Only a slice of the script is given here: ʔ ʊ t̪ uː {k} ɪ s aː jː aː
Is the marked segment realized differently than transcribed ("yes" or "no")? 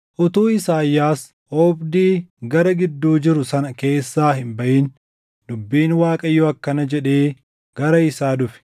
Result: yes